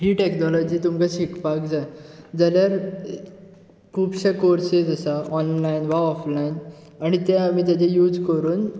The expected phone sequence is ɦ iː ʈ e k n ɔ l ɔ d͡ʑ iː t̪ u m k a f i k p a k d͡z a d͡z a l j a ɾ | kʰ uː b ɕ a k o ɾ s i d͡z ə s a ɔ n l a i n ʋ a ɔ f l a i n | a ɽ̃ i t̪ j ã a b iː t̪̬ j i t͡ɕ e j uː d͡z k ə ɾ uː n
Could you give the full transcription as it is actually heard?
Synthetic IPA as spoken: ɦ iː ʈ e k n ɔ l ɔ d͡ʑ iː t̪ u m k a ɕ i k p a k d͡z a d͡z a l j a ɾ | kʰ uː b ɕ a k o ɾ s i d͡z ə s a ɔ n l a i n ʋ a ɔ f l a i n | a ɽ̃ i t̪ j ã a m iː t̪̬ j a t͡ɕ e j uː d͡z k ə ɾ uː n